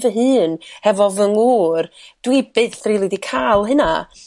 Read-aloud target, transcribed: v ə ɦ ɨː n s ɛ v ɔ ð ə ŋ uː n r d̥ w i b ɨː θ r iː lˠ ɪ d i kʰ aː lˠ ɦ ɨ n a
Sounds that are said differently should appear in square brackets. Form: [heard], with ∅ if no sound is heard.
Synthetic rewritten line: v ə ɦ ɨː n [h] ɛ v ɔ [v] ə ŋ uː [∅] r d̥ w i b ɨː θ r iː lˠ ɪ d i kʰ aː lˠ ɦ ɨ n a